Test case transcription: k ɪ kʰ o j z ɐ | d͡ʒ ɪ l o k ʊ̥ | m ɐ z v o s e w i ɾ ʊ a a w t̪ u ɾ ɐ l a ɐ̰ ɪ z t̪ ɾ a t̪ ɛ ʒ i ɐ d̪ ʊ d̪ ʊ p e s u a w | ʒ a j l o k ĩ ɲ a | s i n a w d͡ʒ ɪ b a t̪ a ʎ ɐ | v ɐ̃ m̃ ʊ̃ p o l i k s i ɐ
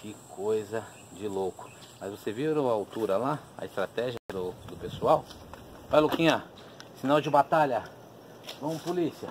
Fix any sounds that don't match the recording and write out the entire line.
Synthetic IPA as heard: k ɪ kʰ o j z ɐ | d͡ʒ ɪ l o k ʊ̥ | m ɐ z v o s e v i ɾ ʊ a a w t̪ u ɾ ɐ l a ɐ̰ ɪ s t̪ ɾ a t̪ ɛ ʒ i ɐ d̪ ʊ d̪ ʊ p e s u a w | v a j l o k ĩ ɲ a | s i n a w d͡ʒ ɪ b a t̪ a ʎ ɐ | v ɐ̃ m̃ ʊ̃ p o l i s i ɐ